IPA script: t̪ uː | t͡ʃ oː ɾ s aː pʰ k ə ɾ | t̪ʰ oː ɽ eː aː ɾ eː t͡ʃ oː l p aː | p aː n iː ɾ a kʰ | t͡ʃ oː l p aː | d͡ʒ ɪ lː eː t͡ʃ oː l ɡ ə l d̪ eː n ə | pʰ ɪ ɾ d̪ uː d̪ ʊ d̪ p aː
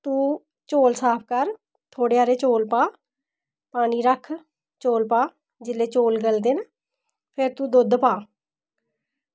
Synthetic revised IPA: t̪ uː | t͡ʃ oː l s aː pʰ k ə ɾ | t̪ʰ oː ɽ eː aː ɾ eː t͡ʃ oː l p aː | p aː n iː ɾ ə kʰ | t͡ʃ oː l p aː | d͡ʒ ɪ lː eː t͡ʃ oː l ɡ ə l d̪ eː n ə | pʰ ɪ ɾ t̪ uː d̪ ʊ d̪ p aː